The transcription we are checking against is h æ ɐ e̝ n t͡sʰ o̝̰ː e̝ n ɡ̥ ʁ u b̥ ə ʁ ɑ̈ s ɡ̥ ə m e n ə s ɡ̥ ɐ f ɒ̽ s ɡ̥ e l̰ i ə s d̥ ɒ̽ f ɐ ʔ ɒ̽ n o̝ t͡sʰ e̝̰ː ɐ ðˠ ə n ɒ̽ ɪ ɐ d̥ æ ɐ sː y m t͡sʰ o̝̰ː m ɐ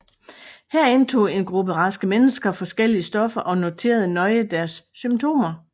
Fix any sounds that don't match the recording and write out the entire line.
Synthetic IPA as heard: h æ ɐ e̝ n t͡sʰ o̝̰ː e̝ n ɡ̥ ʁ u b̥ ə ʁ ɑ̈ s ɡ̥ ə m e n ə s ɡ̥ ɐ f ɒ̽ s ɡ̥ e l̰ i ə s d̥ ɒ̽ f ɐ ʔ ɒ̽ n o̝ t͡sʰ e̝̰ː ɐ ðˠ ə n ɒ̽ ɪ ə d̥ æ ɐ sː y m t͡sʰ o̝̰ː m ɐ